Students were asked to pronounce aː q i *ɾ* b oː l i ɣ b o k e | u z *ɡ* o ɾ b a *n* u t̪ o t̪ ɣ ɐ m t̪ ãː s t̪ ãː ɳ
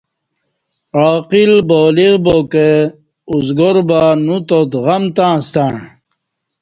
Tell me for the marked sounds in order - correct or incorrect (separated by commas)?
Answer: incorrect, correct, correct